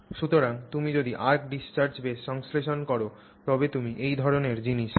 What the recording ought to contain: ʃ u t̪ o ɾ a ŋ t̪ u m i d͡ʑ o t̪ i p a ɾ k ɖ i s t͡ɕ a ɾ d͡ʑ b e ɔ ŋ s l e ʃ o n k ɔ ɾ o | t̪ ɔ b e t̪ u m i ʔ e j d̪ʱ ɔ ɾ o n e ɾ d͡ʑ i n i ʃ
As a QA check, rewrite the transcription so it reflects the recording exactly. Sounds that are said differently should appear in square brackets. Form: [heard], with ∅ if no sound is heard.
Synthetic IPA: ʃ u t̪ o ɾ a ŋ t̪ u m i d͡ʑ o [d̪] i [ʔ] a ɾ k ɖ i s t͡ɕ a ɾ d͡ʑ b e ɔ ŋ s l e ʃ o n k ɔ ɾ o | t̪ ɔ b e t̪ u m i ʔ e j d̪ʱ ɔ ɾ o n e ɾ d͡ʑ i n i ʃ